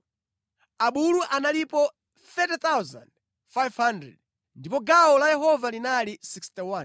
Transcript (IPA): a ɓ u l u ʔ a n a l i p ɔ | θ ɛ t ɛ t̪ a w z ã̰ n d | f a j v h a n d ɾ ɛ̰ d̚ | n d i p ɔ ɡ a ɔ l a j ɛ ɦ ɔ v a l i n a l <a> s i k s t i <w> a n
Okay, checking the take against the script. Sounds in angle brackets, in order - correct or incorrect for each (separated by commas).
incorrect, correct